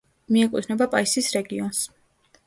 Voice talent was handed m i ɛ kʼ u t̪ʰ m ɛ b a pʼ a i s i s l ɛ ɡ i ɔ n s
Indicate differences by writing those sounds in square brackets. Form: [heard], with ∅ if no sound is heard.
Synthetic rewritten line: m i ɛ kʼ u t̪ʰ [n] ɛ b a pʼ a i s i s [ɾ] ɛ ɡ i ɔ n s